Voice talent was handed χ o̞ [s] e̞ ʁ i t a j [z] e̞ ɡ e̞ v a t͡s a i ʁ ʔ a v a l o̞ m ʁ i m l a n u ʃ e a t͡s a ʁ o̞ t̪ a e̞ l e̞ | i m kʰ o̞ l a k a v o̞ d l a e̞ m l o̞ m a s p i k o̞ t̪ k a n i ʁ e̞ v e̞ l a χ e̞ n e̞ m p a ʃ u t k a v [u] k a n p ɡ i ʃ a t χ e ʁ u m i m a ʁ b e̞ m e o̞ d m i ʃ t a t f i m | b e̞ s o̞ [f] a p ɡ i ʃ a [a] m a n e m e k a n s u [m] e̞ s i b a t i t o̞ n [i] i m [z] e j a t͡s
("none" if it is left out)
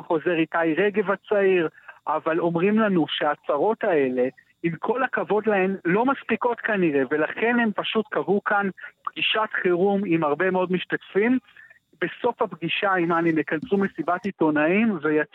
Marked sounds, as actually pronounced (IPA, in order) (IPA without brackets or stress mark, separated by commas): z, ʁ, u, f, i, m, a, v